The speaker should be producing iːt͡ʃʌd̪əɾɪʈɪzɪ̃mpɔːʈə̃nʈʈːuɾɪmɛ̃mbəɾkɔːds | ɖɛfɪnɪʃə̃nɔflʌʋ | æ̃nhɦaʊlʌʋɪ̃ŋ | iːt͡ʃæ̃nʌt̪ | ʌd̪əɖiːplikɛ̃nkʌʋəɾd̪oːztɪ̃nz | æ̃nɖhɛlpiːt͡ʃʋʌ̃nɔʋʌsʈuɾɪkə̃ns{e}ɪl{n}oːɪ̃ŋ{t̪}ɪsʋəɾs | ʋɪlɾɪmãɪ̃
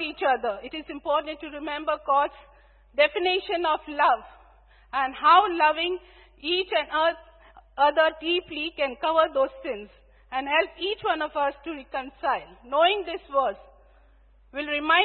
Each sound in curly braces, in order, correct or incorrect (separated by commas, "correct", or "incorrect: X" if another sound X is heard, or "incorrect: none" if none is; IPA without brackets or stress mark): incorrect: a, correct, incorrect: d̪